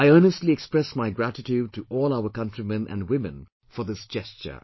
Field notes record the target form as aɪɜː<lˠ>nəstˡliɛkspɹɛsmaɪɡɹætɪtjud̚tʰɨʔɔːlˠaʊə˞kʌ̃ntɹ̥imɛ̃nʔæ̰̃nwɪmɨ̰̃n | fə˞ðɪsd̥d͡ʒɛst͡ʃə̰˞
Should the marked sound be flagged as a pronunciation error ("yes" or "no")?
yes